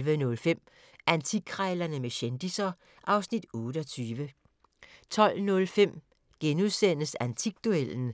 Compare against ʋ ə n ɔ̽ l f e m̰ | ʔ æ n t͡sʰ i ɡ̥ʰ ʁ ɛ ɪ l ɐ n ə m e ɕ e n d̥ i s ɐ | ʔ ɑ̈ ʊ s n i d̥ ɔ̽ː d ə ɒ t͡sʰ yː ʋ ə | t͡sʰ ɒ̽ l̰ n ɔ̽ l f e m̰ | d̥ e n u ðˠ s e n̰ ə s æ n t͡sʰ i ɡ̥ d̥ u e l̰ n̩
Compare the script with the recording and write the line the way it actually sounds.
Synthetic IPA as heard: ʋ ə n ɔ̽ l f e m̰ | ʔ æ n t͡sʰ i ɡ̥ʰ ʁ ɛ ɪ l ɐ n ə m e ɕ e n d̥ i s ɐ | ʔ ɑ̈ ʊ s n i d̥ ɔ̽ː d ə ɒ t͡sʰ yː ʋ ə | t͡sʰ ɒ̽ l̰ n ɔ̽ l f e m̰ | ɡ̥ e n u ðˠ s e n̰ ə s æ n t͡sʰ i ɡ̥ d̥ u e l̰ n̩